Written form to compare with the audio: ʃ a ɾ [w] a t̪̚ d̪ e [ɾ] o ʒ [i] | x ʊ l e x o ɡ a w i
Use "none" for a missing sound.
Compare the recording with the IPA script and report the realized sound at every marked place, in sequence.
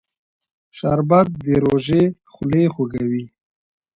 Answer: b, ɾ, e

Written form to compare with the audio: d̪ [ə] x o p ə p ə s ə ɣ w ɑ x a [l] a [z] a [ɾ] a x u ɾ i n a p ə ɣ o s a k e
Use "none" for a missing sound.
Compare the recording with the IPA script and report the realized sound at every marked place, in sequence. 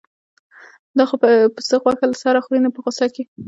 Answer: ɑ, l, s, ɾ

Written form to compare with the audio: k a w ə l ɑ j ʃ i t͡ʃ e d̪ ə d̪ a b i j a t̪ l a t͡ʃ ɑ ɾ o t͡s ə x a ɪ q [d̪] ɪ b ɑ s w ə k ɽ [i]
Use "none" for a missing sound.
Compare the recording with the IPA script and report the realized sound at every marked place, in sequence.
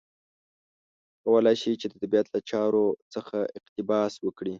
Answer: t̪, i

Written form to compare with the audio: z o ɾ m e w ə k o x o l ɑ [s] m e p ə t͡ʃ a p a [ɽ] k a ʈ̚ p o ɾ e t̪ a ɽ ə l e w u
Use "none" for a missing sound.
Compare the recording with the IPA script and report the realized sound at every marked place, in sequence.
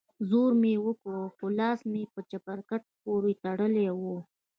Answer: s, ɾ

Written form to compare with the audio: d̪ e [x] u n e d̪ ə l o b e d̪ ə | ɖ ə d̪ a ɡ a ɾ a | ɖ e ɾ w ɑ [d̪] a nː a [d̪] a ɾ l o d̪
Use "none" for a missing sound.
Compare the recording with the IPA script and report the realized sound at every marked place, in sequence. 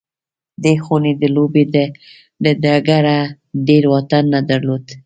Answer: x, t̪, d̪

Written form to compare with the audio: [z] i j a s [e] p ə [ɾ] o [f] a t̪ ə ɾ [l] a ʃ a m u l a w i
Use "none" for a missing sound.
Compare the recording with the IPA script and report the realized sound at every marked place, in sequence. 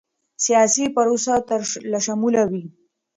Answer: s, i, ɾ, s, l

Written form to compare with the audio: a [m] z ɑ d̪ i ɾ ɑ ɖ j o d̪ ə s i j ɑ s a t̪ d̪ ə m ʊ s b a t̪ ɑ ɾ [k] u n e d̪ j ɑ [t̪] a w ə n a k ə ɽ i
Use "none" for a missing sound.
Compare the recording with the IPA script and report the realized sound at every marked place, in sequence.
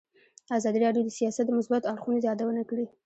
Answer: none, x, d̪

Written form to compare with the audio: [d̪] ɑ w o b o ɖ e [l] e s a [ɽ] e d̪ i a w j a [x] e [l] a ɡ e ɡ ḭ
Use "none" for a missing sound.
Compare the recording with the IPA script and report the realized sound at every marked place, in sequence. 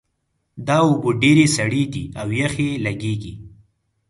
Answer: d̪, ɾ, ɽ, x, l

